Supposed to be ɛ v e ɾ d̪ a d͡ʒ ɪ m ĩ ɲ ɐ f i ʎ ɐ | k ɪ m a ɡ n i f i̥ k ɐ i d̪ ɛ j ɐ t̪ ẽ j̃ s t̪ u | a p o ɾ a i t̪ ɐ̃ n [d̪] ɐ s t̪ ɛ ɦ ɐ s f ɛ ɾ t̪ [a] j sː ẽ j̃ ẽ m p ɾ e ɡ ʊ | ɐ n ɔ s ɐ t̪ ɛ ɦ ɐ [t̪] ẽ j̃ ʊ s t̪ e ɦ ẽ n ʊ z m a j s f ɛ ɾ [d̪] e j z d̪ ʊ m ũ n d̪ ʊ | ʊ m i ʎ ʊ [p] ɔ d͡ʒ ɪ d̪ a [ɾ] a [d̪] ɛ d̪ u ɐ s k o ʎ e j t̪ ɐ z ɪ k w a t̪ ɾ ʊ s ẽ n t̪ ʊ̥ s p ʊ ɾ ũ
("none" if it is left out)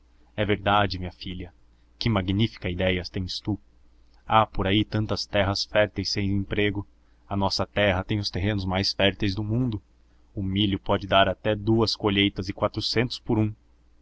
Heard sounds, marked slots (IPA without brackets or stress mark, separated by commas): t̪, e, t̪, t̪, p, ɾ, t̪